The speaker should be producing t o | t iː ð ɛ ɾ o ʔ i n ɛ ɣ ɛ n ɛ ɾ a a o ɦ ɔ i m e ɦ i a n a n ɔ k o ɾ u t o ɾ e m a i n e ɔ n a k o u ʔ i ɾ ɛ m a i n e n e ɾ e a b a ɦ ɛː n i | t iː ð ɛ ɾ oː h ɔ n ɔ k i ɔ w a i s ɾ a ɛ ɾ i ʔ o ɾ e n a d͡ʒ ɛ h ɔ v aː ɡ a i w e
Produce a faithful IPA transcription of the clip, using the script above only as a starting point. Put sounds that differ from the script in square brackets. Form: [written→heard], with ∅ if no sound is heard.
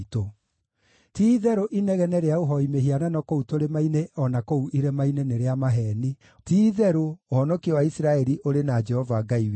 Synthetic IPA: t o | t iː ð ɛ ɾ o ʔ i n ɛ ɣ ɛ n ɛ ɾ [a→e] a o ɦ ɔ i m e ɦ i a n a n ɔ k o [ɾ→∅] u t o ɾ e m a i n e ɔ n a k o u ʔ i ɾ ɛ m a i n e n e ɾ e a [b→m] a ɦ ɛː n i | t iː ð ɛ ɾ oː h ɔ n ɔ k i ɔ w a i s ɾ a ɛ ɾ i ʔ o ɾ e n a d͡ʒ ɛ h ɔ v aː ɡ a i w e

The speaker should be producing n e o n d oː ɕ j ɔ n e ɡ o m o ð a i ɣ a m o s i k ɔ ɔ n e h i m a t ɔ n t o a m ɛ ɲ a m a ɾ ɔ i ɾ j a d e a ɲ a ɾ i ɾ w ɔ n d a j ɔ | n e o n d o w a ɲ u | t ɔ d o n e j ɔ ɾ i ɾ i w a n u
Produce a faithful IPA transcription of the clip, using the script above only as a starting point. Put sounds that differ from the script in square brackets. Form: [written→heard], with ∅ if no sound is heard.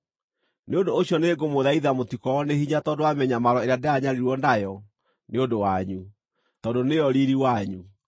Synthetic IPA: n e o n d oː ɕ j ɔ n e ɡ o m o ð a i [ɣ→ð] a m o [s→t] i k ɔ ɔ n e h i [m→ɲ] a t ɔ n [t→d] o a m ɛ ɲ a m a ɾ ɔ [i→e] ɾ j a d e a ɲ a ɾ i ɾ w ɔ n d a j ɔ | n e o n d o w a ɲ u | t ɔ d o n e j ɔ ɾ i ɾ i w a [n→ɲ] u

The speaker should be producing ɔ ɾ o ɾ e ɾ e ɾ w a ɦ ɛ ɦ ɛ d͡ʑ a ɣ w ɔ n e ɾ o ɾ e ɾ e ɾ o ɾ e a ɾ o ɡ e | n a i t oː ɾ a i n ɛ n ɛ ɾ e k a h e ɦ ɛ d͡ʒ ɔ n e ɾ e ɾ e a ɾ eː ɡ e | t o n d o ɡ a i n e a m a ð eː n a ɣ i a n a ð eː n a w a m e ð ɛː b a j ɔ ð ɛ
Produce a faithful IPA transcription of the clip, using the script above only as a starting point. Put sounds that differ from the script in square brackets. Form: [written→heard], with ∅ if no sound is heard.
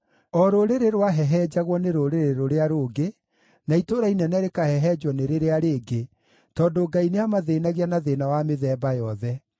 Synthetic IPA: ɔ ɾ o ɾ e ɾ e ɾ w a ɦ ɛ ɦ ɛ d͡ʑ a ɣ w ɔ n e ɾ o ɾ e ɾ e ɾ o ɾ e a ɾ o ɡ e | n a i t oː ɾ a i n ɛ n ɛ ɾ e k a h [e→ɛ] ɦ ɛ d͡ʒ ɔ n e ɾ e ɾ e a ɾ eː ɡ e | t [o→ɔ] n d o ɡ a i n e a m a ð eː n a ɣ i a n a ð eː n a w a m e ð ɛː b a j ɔ ð ɛ

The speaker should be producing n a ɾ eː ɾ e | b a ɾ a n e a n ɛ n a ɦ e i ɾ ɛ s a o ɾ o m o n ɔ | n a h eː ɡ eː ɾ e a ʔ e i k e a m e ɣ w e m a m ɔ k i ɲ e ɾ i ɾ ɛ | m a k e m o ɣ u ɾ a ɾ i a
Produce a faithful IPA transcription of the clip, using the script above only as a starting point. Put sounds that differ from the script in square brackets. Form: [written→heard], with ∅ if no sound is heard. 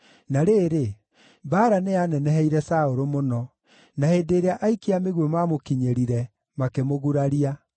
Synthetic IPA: n a ɾ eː ɾ e | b a ɾ a n e a n ɛ n [a→ɛ] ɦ [e→ɛ] i ɾ ɛ s a o ɾ o m o n ɔ | n a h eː [ɡ→d] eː ɾ e a ʔ [e→a] i k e a m e ɣ w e m a m [ɔ→o] k i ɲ e ɾ i ɾ ɛ | m a k e m o ɣ u ɾ a ɾ i a

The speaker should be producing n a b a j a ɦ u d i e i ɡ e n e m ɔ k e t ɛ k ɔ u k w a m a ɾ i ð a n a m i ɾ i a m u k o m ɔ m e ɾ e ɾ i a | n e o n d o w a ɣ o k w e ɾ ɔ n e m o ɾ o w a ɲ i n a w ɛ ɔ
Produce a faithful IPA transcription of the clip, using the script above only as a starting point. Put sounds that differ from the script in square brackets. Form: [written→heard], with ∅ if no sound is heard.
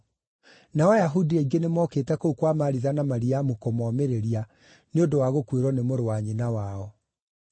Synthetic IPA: n a [b→w] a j a ɦ u d i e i ɡ e n e m ɔ k e t ɛ k [ɔ→o] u k w a m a ɾ i ð a n a m [i→a] ɾ i a m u k o m ɔ m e ɾ e ɾ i a | n e o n d o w a ɣ o k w e ɾ ɔ n e m o ɾ o w a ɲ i n a w [ɛ→a] ɔ

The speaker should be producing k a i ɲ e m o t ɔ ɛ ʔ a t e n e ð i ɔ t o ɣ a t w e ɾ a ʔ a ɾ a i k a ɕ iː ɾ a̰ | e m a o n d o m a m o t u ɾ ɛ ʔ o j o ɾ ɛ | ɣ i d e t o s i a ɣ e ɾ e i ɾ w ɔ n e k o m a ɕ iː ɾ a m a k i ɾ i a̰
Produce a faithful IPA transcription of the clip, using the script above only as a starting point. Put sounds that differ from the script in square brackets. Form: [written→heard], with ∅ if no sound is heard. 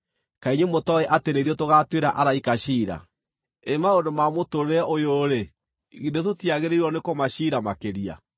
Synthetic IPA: k a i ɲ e m o t ɔ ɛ ʔ a t e n e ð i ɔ t o ɣ a t w e ɾ a ʔ a ɾ a i k a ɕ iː ɾ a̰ | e m a o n d o m a m o t [u→o] ɾ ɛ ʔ o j o ɾ [ɛ→e] | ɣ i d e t o [s→t] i a ɣ e ɾ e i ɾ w ɔ n e k o m a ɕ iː ɾ a m a k [i→e] ɾ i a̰

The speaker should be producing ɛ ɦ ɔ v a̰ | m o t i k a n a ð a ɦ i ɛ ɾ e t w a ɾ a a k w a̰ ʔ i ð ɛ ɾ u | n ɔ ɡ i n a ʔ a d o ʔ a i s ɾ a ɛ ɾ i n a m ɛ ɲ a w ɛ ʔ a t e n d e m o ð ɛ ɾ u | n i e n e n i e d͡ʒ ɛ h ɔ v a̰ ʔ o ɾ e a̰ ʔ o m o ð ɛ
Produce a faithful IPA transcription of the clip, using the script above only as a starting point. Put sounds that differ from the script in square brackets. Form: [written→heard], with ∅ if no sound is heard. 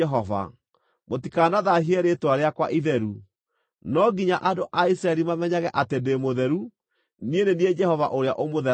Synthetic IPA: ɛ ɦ ɔ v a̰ | m o t i k a n a ð a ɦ i ɛ ɾ e t w a ɾ [a→e] a k w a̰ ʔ i ð ɛ ɾ u | n ɔ ɡ i [n→ɲ] a ʔ a d o ʔ a i s ɾ a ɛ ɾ i [n→m] a m ɛ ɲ a [w→ɣ] ɛ ʔ a t e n d e m o ð ɛ ɾ u | n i e n e n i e d͡ʒ ɛ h ɔ v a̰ ʔ o ɾ e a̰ ʔ o m o ð ɛ

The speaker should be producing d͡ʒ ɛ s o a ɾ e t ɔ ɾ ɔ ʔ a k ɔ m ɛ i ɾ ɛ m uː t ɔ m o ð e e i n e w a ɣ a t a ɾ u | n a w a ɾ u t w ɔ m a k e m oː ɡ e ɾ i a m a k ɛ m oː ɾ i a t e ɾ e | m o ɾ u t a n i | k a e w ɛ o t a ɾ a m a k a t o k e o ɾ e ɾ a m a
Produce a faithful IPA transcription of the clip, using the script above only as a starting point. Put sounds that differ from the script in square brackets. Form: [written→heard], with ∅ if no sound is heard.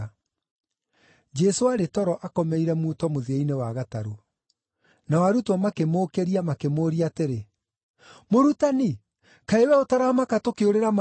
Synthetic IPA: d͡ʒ ɛ s o a ɾ e t ɔ ɾ ɔ ʔ a k ɔ m ɛ i ɾ ɛ m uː t ɔ m o ð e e i n e w a ɣ a t a ɾ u | n a w a ɾ u t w ɔ m a k e m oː [ɡ→k] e ɾ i a m a k [ɛ→e] m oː ɾ i a t e ɾ e | m o ɾ u t a n i | k a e w ɛ o t a ɾ a m a k a t o k e o ɾ e ɾ a m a

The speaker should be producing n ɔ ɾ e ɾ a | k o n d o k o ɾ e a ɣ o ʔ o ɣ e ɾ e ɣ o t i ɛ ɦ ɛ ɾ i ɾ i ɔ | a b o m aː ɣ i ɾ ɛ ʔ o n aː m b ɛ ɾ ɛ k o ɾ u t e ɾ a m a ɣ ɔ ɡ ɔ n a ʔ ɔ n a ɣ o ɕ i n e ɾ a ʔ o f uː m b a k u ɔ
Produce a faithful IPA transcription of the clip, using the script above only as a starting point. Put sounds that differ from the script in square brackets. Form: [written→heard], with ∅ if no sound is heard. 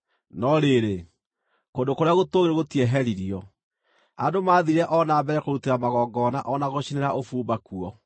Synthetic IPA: n ɔ ɾ e ɾ [a→e] | k o n d o k o ɾ e a ɣ o [ʔ→t] o ɣ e ɾ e ɣ o t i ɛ ɦ ɛ ɾ i ɾ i ɔ | a [b→d] o m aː [ɣ→ð] i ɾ ɛ ʔ [o→ɔ] n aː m b ɛ ɾ ɛ k o ɾ u t e ɾ a m a ɣ ɔ ɡ ɔ n a ʔ ɔ n a ɣ o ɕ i n e ɾ a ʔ o f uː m b a k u ɔ

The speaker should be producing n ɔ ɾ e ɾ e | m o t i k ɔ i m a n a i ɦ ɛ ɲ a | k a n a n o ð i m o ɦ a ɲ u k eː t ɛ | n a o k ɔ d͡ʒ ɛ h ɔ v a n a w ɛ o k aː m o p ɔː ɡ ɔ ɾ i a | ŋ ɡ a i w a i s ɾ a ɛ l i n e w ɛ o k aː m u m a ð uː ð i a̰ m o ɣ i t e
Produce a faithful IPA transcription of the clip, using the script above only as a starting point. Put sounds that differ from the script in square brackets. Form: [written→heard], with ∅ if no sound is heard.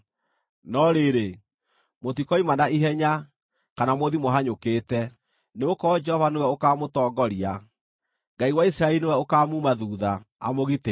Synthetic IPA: n ɔ ɾ e ɾ e | m o t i k ɔ i m a n a i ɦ ɛ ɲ a | k a n a [n→m] o ð i m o ɦ a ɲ [u→o] k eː t ɛ | n [a→e] o k ɔ d͡ʒ ɛ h ɔ v a n [a→e] w ɛ o k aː m o [p→t] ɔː ɡ ɔ ɾ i a | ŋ ɡ a i w a i s ɾ a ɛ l i n e w ɛ o k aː m u m a ð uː ð [i→a] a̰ m o ɣ i t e

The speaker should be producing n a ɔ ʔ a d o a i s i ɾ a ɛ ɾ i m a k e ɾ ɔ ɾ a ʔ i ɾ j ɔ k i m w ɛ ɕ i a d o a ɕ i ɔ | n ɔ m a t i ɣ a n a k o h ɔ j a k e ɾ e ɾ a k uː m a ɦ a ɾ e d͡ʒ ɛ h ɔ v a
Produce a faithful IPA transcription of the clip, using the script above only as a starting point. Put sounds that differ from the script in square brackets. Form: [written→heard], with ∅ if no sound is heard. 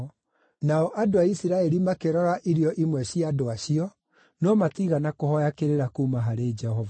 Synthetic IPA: n a ɔ ʔ a d o a i s i ɾ a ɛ ɾ i m a k e ɾ ɔ ɾ a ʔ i ɾ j ɔ [k→ʔ] i m w ɛ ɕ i a d o a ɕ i ɔ | n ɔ m a t i ɣ a n a k o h ɔ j a k e ɾ e ɾ a k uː m a ɦ a ɾ e d͡ʒ ɛ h ɔ v a

